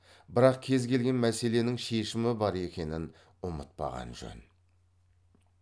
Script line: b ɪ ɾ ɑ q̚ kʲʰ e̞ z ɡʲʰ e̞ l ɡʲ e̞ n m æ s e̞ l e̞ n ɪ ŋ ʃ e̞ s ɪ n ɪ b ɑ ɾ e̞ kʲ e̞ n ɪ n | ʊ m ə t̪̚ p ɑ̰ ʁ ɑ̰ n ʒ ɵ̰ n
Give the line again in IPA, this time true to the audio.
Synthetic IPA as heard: b ɪ ɾ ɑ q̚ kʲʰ e̞ z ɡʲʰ e̞ l ɡʲ e̞ n m æ s e̞ l e̞ n ɪ ŋ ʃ e̞ ʃ ɪ m ɪ b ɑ ɾ e̞ kʲ e̞ n ɪ n | ʊ m ə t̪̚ p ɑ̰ ʁ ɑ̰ n ʒ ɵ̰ n